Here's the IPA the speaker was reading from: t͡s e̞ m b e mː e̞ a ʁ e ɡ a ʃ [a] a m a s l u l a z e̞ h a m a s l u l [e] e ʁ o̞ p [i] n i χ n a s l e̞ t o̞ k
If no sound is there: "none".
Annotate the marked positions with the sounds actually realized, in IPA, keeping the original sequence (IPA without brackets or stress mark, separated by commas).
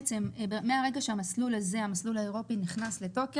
e, a, i